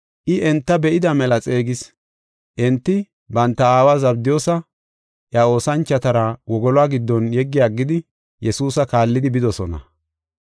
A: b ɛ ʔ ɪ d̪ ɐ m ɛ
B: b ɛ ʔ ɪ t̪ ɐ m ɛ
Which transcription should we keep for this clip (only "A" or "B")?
A